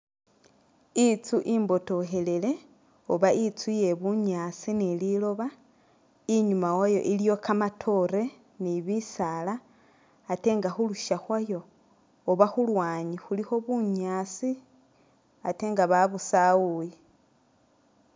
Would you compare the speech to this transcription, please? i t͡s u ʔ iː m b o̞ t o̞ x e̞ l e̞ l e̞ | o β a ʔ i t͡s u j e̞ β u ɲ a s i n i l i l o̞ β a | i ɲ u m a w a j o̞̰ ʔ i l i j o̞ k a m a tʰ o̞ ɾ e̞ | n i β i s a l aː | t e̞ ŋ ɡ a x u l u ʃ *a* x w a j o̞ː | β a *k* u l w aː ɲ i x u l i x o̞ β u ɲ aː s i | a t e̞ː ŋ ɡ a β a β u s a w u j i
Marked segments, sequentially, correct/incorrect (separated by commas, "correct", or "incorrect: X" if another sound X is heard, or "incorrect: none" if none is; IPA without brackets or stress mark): correct, incorrect: x